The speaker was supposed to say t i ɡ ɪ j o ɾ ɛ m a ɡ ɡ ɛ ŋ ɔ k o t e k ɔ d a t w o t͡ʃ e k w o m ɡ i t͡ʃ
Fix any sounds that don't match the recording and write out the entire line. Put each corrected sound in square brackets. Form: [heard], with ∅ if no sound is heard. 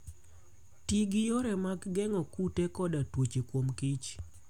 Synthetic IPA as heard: t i ɡ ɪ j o ɾ ɛ m a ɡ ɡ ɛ ŋ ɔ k [u] t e k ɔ d a t w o t͡ʃ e k w o m [k] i t͡ʃ

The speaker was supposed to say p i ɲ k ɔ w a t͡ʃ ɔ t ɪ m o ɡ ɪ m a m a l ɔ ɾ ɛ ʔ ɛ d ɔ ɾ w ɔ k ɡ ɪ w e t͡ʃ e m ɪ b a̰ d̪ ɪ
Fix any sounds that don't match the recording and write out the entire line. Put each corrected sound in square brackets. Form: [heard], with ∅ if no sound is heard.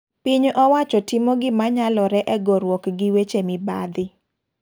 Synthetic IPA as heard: p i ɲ [ʔ] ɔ w a t͡ʃ ɔ t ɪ m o ɡ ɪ m a [ɲ] a l ɔ ɾ ɛ ʔ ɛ [ɡ] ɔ ɾ w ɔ k ɡ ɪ w e t͡ʃ e m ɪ b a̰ d̪ ɪ

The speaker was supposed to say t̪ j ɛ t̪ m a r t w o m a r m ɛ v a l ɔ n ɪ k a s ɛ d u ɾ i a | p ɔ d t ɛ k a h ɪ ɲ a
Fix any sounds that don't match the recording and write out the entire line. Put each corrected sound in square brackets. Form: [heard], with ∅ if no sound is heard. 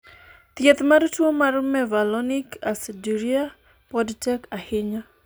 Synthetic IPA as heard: t̪ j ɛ t̪ m a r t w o m a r m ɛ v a l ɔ n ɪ k a s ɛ d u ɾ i a | p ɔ d t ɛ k a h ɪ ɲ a

